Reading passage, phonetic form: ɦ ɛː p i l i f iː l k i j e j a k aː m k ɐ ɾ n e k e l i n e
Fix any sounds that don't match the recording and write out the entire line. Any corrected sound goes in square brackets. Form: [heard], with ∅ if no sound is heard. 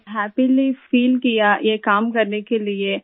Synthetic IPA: ɦ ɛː p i l i f iː l k i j [a] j [e] k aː m k ɐ ɾ n e k e l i [∅] e